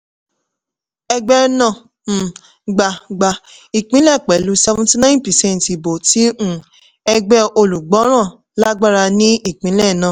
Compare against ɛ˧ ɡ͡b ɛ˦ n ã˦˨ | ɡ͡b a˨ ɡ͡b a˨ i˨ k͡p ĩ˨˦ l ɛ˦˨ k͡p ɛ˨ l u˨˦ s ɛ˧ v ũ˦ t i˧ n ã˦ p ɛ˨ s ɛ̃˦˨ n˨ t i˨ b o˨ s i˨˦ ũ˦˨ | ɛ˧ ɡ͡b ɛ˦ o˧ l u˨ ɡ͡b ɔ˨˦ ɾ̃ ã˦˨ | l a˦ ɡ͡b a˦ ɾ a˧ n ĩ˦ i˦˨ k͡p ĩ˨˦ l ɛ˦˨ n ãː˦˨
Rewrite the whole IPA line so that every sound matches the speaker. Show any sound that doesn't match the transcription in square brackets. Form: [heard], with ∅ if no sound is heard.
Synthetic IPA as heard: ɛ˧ ɡ͡b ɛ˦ n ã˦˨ | ɡ͡b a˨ ɡ͡b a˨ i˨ k͡p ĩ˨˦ l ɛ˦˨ k͡p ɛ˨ l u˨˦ s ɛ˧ v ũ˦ t i˧ n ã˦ p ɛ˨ s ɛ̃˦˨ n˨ t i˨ b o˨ [t] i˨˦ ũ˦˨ | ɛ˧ ɡ͡b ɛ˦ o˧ l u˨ ɡ͡b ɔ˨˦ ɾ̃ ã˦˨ | l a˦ ɡ͡b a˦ ɾ a˧ n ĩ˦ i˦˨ k͡p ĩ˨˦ l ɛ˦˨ n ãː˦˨